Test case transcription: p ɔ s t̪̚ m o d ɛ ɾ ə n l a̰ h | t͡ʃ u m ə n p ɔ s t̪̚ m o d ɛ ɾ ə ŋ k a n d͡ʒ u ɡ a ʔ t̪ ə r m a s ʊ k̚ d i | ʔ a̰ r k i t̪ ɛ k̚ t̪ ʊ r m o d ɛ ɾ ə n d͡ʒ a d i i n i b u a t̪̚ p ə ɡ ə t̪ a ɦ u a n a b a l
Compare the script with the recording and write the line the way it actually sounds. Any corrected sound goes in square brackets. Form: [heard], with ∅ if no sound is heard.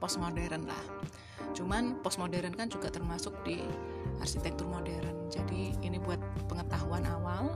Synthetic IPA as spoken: p ɔ s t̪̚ m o d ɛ ɾ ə n l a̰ h | t͡ʃ u m [a] n p ɔ s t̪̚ m o d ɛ ɾ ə [n] k a n d͡ʒ u ɡ a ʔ t̪ ə r m a s ʊ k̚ d i | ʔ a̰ r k i t̪ ɛ k̚ t̪ ʊ r m o d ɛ ɾ ə n d͡ʒ a d i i n i b u a t̪̚ p ə [ŋ] ə t̪ a ɦ u a n a [w] a l